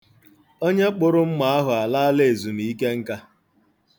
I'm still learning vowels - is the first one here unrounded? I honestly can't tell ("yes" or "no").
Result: no